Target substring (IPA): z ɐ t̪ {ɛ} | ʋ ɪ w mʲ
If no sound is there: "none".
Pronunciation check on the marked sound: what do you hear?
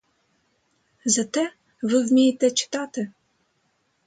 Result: ɛ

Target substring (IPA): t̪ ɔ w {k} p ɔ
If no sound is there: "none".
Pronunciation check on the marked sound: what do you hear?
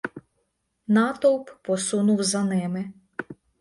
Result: p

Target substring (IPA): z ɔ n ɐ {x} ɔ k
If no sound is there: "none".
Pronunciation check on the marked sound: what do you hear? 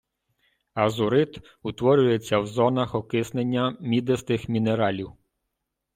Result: x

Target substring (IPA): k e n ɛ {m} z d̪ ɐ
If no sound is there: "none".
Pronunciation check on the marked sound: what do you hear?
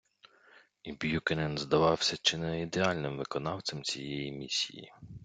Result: n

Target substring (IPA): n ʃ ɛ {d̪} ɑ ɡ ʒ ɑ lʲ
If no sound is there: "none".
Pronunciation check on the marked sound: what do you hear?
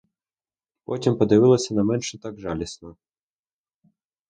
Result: t̪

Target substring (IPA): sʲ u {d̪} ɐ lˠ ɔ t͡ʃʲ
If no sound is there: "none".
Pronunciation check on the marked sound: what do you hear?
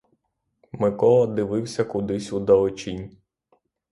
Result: d̪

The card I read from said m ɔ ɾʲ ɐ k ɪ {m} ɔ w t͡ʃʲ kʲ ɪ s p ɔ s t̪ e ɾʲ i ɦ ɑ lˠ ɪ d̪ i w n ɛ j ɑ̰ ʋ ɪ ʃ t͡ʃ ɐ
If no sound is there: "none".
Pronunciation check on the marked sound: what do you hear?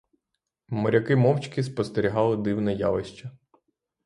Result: m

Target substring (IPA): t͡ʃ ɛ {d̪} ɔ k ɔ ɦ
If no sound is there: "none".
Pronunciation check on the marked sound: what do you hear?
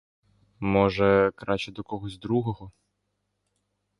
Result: d̪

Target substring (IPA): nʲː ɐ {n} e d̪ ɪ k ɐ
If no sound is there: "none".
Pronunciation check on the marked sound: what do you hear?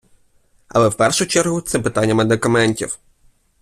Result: m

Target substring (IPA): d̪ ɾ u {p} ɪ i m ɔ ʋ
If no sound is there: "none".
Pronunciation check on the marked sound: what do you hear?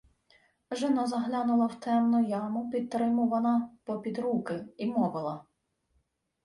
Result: k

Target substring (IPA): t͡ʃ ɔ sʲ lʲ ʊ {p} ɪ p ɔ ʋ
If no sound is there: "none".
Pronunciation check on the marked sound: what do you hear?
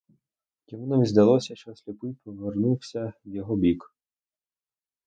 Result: p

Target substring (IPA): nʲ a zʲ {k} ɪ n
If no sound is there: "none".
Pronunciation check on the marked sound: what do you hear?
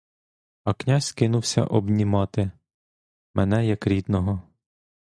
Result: k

